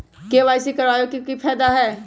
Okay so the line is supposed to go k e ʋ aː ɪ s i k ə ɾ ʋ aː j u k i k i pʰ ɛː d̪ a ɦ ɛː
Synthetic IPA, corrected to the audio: k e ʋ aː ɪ s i k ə ɾ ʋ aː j o k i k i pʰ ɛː d̪ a ɦ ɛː

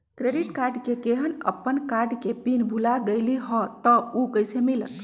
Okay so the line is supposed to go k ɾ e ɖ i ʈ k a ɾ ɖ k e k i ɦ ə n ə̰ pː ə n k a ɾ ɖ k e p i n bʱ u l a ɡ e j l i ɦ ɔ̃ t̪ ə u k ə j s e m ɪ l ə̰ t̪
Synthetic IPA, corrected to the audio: k ɾ e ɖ i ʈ k a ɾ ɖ k e k e ɦ ə n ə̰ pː ə n k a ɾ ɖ k e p i n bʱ u l a ɡ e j l i ɦ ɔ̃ t̪ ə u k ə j s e m i l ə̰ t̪

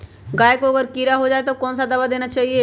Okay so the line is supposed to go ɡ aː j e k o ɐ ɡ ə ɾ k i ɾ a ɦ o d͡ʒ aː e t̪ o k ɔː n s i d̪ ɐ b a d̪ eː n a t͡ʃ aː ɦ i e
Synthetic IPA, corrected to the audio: ɡ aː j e k o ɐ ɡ ə ɾ k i ɾ a ɦ o d͡ʒ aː e t̪ o k ɔː n s a d̪ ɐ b a d̪ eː n a t͡ʃ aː ɦ i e

